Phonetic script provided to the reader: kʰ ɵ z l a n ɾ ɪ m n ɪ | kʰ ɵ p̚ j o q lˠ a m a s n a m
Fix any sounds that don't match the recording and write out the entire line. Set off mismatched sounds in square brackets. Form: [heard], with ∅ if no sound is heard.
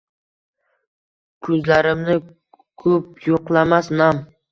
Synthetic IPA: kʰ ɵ z l a [∅] ɾ ɪ m n ɪ | kʰ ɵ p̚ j o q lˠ a m a s n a m

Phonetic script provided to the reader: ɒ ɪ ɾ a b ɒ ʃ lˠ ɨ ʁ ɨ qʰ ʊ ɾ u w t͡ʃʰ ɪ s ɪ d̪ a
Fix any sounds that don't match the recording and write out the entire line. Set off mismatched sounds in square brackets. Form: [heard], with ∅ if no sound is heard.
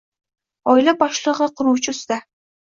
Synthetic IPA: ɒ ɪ [l] a b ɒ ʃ lˠ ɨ ʁ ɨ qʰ ʊ ɾ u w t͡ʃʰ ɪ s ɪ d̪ a

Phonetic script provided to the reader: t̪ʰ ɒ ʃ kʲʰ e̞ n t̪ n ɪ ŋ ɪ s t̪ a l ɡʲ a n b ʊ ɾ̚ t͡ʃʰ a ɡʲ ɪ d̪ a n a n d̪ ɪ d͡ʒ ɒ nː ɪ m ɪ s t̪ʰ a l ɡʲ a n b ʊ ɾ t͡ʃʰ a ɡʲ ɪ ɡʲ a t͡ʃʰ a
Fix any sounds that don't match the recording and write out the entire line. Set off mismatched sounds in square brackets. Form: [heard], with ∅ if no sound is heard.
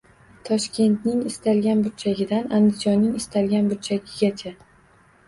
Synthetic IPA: t̪ʰ ɒ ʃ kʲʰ e̞ n t̪ n ɪ ŋ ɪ s t̪ a l ɡʲ a n b ʊ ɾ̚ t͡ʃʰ a ɡʲ ɪ d̪ a n a n d̪ ɪ d͡ʒ ɒ nː ɪ [ŋ] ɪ s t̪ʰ a l ɡʲ a n b ʊ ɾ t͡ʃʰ a ɡʲ ɪ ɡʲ a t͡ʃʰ a

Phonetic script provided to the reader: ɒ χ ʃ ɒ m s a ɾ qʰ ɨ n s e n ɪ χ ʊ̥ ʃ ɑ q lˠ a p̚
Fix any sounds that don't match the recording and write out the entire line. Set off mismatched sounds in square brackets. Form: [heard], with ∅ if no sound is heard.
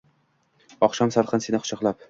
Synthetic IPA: ɒ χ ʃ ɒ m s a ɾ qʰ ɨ n s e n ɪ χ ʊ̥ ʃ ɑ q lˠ a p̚

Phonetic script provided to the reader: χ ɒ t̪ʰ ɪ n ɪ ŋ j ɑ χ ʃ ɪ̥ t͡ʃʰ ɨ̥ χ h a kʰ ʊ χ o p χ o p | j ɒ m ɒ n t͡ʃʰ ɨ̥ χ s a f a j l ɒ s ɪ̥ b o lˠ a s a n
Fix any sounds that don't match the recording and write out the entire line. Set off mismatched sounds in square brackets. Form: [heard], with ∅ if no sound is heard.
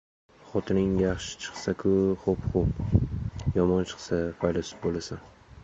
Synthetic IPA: χ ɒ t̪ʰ ɪ n ɪ ŋ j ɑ χ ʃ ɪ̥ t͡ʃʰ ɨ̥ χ [s] a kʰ ʊ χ o p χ o p | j ɒ m ɒ n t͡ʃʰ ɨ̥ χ s a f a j l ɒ s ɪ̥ b o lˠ a s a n

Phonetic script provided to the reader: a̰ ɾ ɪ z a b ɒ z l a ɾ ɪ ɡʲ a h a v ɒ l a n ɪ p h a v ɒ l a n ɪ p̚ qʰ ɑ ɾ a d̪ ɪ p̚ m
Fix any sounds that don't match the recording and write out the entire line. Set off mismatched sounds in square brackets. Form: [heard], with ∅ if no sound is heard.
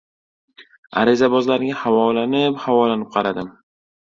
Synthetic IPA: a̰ ɾ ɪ z a b ɒ z l a ɾ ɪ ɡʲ a h a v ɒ l a n ɪ p h a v ɒ l a n ɪ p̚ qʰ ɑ ɾ a d̪ ɪ [∅] m

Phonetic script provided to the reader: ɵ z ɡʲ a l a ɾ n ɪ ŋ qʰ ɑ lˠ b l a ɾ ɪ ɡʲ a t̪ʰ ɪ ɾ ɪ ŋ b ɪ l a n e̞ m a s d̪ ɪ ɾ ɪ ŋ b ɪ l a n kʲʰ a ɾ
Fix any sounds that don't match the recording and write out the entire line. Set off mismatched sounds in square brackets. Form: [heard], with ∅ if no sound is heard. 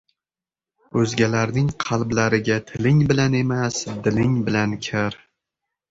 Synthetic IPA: ɵ z ɡʲ a l a ɾ n ɪ ŋ qʰ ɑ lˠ b l a ɾ ɪ ɡʲ a t̪ʰ ɪ [l] ɪ ŋ b ɪ l a n e̞ m a s d̪ ɪ [l] ɪ ŋ b ɪ l a n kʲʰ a ɾ

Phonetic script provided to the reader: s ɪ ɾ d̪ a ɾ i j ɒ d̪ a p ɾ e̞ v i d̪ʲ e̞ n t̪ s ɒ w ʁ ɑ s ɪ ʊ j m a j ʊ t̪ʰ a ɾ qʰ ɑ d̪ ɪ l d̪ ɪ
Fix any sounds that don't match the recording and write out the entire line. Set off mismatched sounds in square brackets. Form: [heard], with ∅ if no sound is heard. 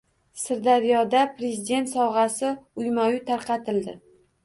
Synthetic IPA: s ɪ ɾ d̪ a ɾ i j ɒ d̪ a p ɾ e̞ [z] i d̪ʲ e̞ n t̪ s ɒ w ʁ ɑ s ɪ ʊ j m a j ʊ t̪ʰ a ɾ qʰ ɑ [t̪] ɪ l d̪ ɪ

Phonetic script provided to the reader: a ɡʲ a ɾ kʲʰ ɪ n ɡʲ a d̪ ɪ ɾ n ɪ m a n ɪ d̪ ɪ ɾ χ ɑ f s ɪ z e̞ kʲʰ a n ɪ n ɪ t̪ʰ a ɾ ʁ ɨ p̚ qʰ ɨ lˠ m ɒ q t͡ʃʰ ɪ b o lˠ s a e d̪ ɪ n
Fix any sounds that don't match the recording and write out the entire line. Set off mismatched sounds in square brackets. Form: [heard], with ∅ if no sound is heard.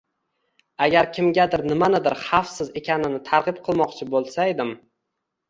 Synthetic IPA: a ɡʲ a ɾ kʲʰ ɪ [m] ɡʲ a d̪ ɪ ɾ n ɪ m a n ɪ d̪ ɪ ɾ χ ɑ f s ɪ z e̞ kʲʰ a n ɪ n ɪ t̪ʰ a ɾ ʁ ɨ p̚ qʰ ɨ lˠ m ɒ q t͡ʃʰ ɪ b o lˠ s a e d̪ ɪ [m]

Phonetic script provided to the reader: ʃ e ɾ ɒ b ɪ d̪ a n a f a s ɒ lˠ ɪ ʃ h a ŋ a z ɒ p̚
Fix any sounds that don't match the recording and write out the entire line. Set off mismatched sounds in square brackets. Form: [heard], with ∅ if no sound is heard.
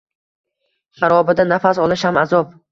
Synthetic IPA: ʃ [a] ɾ ɒ b ɪ d̪ a n a f a s ɒ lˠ ɪ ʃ h a [m] a z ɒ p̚

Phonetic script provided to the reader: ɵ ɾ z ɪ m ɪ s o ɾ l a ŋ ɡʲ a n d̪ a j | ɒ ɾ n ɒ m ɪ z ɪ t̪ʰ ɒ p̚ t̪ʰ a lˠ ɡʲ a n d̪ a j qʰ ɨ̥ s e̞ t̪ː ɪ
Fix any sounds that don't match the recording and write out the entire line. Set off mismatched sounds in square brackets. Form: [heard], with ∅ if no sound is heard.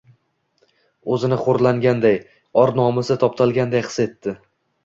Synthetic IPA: ɵ [∅] z ɪ [n] ɪ [χ] o ɾ l a ŋ ɡʲ a n d̪ a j | ɒ ɾ n ɒ m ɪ [s] ɪ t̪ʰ ɒ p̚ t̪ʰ a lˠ ɡʲ a n d̪ a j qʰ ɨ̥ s e̞ t̪ː ɪ

